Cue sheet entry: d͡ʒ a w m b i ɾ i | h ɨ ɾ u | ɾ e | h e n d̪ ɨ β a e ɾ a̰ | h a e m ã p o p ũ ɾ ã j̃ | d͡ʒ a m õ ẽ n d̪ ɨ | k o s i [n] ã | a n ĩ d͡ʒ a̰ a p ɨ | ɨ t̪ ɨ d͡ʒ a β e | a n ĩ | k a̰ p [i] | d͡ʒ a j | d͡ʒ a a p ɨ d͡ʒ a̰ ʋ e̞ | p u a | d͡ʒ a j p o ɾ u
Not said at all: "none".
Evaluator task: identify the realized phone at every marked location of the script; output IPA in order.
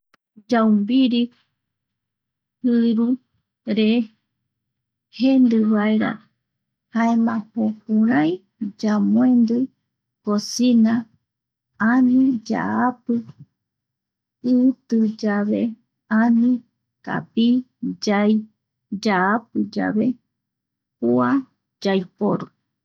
n, i

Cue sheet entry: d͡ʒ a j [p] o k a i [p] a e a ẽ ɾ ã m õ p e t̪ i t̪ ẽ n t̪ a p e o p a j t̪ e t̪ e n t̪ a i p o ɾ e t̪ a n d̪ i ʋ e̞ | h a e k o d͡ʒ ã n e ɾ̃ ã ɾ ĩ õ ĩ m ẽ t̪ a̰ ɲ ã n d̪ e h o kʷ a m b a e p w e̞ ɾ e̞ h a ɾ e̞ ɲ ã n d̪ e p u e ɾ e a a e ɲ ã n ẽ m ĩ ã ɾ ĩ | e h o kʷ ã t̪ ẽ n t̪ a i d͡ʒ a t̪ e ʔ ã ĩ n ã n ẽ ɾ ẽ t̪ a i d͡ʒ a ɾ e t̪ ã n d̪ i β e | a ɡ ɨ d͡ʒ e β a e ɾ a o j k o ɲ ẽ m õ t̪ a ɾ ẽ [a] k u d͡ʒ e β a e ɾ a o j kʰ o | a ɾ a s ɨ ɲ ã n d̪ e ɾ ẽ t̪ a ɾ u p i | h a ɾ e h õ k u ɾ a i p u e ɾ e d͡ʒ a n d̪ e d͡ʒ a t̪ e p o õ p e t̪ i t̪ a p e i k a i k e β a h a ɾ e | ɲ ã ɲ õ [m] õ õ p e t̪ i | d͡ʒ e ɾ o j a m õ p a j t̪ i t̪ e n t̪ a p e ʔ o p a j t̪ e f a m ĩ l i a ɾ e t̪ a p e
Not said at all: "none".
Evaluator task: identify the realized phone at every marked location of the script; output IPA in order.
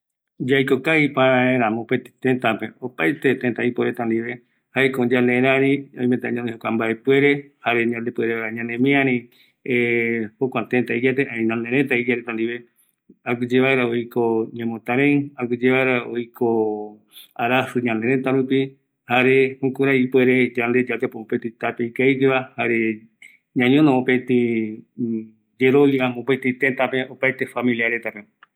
k, p, a, n

